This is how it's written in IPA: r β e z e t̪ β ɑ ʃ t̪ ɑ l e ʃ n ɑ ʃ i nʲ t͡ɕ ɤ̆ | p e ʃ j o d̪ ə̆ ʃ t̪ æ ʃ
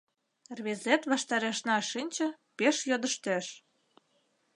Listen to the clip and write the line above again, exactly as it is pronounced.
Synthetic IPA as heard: r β e z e t̪ β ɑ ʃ t̪ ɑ ɾ e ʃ n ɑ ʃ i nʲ t͡ɕ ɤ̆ | p e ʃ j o d̪ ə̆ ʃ t̪ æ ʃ